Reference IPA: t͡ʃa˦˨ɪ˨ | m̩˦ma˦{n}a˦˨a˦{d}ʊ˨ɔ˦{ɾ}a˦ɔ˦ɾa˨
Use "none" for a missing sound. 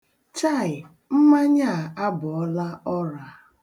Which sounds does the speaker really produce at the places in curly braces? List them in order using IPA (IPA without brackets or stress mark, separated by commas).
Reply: ɲ, b, l